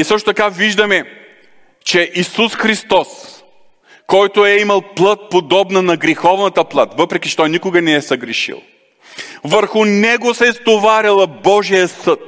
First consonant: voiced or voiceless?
voiceless